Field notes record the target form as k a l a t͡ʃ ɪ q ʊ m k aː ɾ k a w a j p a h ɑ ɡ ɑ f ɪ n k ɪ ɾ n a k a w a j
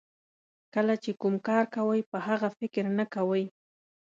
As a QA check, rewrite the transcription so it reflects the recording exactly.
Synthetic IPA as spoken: k a l a t͡ʃ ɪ k ʊ m k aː ɾ k a w a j p a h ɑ ɢ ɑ f ɪ k ɪ ɾ n a k a w a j